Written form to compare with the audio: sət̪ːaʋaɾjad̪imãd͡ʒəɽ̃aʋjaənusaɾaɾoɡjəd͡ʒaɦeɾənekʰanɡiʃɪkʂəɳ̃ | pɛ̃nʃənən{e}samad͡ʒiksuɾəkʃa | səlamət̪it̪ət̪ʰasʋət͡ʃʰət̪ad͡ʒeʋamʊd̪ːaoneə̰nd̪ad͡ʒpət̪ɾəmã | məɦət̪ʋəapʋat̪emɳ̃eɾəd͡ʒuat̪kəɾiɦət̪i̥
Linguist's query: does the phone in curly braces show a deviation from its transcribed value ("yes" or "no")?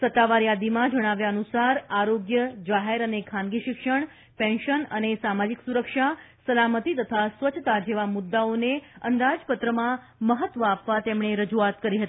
no